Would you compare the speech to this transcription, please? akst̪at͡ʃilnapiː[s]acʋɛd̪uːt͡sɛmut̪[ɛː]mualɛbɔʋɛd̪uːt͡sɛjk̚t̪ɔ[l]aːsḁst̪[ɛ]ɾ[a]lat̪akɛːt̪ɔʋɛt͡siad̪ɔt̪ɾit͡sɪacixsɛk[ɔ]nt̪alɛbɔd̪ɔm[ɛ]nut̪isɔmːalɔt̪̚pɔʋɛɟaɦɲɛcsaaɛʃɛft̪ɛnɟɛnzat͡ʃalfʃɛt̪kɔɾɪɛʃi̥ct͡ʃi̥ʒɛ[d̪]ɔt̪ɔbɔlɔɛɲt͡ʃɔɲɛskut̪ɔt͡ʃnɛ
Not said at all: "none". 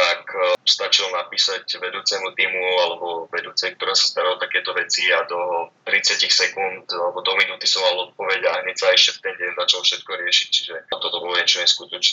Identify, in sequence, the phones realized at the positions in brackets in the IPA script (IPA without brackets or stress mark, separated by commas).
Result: s, iː, ɾ, a, a, u, i, t̪